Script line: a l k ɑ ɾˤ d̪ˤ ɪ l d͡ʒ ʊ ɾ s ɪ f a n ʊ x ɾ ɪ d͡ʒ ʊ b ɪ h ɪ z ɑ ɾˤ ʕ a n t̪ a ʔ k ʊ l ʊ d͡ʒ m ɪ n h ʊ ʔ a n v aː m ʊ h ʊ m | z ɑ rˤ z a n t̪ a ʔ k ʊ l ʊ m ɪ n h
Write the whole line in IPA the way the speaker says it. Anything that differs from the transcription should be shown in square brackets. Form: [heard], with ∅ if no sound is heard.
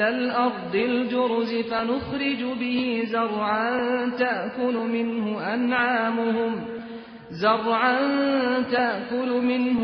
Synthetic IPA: a l [ʔ] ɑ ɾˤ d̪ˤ ɪ l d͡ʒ ʊ ɾ [z] ɪ f a n ʊ x ɾ ɪ d͡ʒ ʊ b ɪ h ɪ z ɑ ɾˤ ʕ a n t̪ a ʔ k ʊ l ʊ [∅] m ɪ n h ʊ ʔ a n [ʕ] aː m ʊ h ʊ m | z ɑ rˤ [ʕ] a n t̪ a ʔ k ʊ l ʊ m ɪ n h